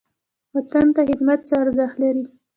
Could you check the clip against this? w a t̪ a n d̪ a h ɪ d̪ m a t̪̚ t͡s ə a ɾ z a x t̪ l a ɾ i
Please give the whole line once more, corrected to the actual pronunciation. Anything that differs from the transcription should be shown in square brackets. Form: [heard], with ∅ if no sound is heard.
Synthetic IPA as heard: w a t̪ a n [t̪] a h ɪ d̪ m a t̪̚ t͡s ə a ɾ z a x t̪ l a ɾ i